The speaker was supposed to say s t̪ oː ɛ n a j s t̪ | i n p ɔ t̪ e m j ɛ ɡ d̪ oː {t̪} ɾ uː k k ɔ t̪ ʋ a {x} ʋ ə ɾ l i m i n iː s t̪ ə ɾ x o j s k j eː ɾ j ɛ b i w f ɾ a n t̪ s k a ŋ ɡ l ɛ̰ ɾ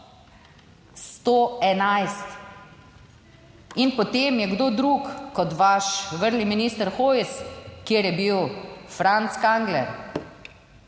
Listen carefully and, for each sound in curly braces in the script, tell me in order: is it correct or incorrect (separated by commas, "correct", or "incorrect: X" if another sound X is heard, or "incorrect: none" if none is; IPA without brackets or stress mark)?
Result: incorrect: d̪, incorrect: ʃ